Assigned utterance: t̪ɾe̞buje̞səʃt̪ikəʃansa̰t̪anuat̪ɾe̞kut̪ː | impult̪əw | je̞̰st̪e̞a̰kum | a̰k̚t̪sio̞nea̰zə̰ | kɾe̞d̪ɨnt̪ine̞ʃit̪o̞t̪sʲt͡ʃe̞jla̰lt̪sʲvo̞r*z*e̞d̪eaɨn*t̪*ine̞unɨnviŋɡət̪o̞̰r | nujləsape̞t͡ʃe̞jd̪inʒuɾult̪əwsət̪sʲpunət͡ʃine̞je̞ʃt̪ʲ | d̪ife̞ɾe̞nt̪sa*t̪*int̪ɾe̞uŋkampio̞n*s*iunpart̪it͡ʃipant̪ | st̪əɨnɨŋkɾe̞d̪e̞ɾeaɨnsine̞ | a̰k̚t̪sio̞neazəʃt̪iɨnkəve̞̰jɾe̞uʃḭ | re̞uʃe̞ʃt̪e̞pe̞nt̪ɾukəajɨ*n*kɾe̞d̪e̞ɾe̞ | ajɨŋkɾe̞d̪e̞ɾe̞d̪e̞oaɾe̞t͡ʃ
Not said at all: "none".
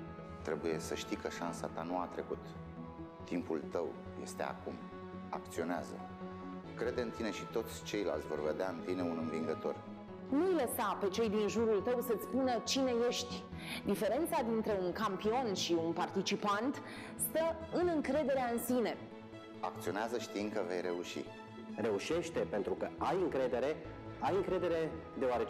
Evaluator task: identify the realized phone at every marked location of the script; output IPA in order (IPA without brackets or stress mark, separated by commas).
v, t̪, d̪, ʃ, ŋ